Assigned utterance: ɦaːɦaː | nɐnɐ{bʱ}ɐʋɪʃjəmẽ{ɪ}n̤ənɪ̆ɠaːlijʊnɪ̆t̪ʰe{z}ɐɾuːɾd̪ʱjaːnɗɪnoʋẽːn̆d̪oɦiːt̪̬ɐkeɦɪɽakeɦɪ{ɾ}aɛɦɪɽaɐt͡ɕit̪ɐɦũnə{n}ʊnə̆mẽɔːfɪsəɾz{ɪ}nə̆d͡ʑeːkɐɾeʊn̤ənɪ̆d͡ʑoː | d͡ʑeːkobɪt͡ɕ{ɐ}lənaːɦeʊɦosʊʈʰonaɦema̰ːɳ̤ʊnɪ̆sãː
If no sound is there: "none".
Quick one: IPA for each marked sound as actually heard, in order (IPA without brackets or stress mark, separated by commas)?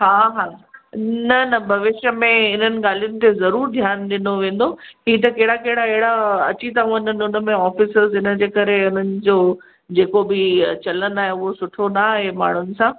bʱ, ɪ, z, ɽ, n, ɪ, ɐ